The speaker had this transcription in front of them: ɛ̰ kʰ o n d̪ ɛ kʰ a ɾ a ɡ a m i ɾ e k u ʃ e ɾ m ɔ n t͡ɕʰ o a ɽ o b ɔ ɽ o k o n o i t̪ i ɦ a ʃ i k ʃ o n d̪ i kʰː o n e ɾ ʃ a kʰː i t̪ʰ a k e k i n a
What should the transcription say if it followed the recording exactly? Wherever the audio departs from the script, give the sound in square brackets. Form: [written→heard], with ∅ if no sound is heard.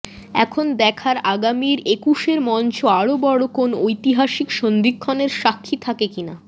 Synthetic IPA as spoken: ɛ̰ kʰ o n d̪ ɛ kʰ a ɾ a ɡ a m i ɾ e k u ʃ e ɾ m ɔ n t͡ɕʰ o a ɽ o b ɔ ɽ o k o n o [i→j] t̪ i ɦ a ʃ i k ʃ o n d̪ i kʰː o n e ɾ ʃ a kʰː i t̪ʰ a k e k i n a